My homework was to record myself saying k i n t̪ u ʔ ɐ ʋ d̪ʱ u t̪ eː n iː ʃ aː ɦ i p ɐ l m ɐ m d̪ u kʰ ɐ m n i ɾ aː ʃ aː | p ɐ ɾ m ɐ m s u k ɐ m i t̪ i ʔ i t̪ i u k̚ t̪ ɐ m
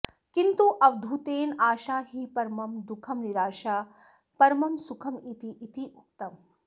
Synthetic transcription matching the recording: k i n t̪ u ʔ ɐ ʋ d̪ʱ u t̪ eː n aː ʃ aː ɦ i p ɐ ɾ m ɐ m d̪ u kʰ ɐ m n i ɾ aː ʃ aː | p ɐ ɾ m ɐ m s u kʰ ɐ m i t̪ i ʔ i t̪ i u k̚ t̪ ɐ m

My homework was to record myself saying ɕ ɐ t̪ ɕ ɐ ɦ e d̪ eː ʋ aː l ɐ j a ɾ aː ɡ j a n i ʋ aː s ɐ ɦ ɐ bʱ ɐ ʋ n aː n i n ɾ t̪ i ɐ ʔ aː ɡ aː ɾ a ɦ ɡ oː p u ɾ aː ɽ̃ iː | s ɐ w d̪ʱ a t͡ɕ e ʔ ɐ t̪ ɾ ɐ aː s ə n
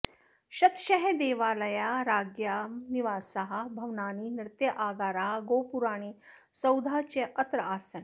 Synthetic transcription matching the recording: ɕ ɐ t̪ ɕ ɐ ɦ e d̪ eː ʋ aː l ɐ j a ɾ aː ɡ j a n i ʋ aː s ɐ ɦ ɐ bʱ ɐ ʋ n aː n i n ɾ t̪ j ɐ ʔ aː ɡ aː ɾ a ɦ ɡ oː p u ɾ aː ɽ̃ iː | s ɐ w d̪ʱ a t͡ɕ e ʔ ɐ t̪ ɾ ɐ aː s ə n

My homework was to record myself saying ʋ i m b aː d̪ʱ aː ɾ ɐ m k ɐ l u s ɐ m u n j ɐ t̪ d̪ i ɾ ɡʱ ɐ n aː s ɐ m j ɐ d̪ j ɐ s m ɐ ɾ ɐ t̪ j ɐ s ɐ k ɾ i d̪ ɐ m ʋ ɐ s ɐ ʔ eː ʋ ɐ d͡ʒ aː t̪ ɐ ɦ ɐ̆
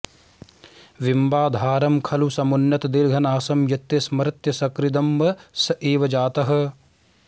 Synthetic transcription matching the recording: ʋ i m b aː d̪ʱ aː ɾ ɐ m kʰ ɐ l u s ɐ m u n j ɐ t̪ d̪ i ɾ ɡʱ ɐ n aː s ɐ m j ɐ t̪ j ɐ s m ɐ ɾ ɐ t̪ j ɐ s ɐ k ɾ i d̪ ɐ m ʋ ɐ s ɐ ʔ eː ʋ ɐ d͡ʒ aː t̪ ɐ ɦ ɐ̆

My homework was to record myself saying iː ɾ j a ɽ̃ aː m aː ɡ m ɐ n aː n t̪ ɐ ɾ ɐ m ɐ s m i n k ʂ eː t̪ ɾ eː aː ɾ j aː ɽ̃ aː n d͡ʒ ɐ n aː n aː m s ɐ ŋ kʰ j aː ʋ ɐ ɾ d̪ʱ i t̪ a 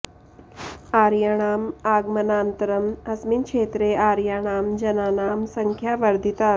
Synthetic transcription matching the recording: aː ɾ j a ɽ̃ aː m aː ɡ m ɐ n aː n t̪ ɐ ɾ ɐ m ɐ s m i n k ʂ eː t̪ ɾ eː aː ɾ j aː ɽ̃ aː m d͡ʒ ɐ n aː n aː m s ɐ ŋ kʰ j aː ʋ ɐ ɾ d̪ʱ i t̪ a

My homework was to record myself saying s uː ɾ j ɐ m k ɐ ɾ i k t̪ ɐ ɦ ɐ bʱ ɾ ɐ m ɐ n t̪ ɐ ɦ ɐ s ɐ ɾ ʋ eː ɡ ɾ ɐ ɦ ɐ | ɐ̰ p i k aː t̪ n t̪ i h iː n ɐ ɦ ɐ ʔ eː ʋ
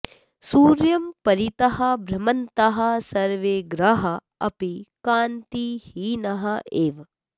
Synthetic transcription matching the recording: s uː ɾ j ɐ m p ɐ ɾ i t̪ ɐ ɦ ɐ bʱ ɾ ɐ m ɐ n t̪ ɐ ɦ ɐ s ɐ ɾ ʋ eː ɡ ɾ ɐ ɦ ɐ | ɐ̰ p i k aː n t̪ i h iː n ɐ ɦ ɐ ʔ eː ʋ

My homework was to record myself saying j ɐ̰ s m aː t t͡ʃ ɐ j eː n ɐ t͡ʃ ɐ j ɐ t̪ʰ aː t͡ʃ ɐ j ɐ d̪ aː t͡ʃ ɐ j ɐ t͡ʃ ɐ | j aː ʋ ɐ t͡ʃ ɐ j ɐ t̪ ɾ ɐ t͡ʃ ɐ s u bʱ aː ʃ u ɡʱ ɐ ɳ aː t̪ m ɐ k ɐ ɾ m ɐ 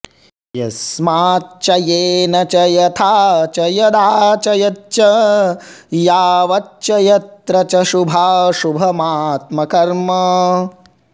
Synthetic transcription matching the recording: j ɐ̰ s m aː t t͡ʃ ɐ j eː n ɐ t͡ʃ ɐ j ɐ t̪ʰ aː t͡ʃ ɐ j ɐ d̪ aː t͡ʃ ɐ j ɐ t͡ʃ ɐ | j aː ʋ ɐ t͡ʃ ɐ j ɐ t̪ ɾ ɐ t͡ʃ ɐ ʃ u bʱ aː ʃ u bʱ ɐ m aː t̪ m ɐ k ɐ ɾ m ɐ

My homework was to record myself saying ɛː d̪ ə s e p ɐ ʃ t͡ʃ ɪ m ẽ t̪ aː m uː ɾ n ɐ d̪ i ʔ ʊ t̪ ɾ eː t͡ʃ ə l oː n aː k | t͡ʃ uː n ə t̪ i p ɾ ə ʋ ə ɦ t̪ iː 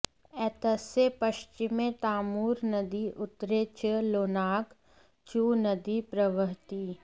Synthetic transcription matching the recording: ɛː t̪ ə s e p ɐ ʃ t͡ʃ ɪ m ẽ t̪ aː m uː ɾ n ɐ d̪ i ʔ ʊ t̪ ɾ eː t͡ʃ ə l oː n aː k | t͡ʃ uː n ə d̪ i p ɾ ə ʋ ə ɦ t̪ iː

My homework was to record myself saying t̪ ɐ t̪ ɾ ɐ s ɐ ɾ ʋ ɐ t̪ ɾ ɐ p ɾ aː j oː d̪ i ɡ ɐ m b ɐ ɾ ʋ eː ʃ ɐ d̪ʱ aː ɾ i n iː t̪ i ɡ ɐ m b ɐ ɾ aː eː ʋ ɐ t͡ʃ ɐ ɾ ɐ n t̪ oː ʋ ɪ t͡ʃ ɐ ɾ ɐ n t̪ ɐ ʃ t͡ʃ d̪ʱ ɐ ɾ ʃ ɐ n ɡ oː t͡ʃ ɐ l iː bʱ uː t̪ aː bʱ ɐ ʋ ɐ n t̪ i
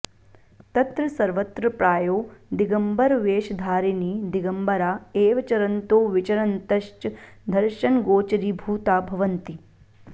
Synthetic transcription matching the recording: t̪ ɐ t̪ ɾ ɐ s ɐ ɾ ʋ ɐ t̪ ɾ ɐ p ɾ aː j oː d̪ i ɡ ɐ m b ɐ ɾ ʋ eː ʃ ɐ d̪ʱ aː ɾ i n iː d̪ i ɡ ɐ m b ɐ ɾ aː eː ʋ ɐ t͡ʃ ɐ ɾ ɐ n t̪ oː ʋ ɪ t͡ʃ ɐ ɾ ɐ n t̪ ɐ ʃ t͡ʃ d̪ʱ ɐ ɾ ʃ ɐ n ɡ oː t͡ʃ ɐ ɾ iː bʱ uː t̪ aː bʱ ɐ ʋ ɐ n t̪ i

